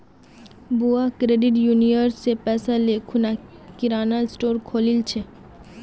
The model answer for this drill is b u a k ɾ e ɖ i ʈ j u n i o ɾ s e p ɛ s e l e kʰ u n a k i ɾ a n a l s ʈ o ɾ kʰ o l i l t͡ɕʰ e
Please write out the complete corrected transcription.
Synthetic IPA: b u a k ɾ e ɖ i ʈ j u n i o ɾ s e p ɛ s a l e kʰ u n a k i ɾ a n a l s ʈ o ɾ kʰ o l i l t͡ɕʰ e